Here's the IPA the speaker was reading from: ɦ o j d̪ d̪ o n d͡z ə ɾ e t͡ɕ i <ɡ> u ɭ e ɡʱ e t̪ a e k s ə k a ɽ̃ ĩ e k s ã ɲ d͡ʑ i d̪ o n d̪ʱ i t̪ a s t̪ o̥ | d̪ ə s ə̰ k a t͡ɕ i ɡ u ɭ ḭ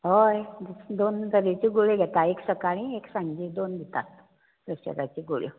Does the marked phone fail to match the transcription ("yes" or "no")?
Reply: no